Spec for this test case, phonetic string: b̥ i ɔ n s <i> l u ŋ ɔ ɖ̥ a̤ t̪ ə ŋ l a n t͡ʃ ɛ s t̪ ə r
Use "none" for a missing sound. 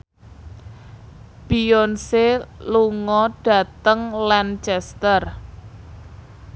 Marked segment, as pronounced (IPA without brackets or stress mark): e